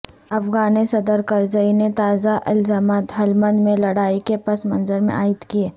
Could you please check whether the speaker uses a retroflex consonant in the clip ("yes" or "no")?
yes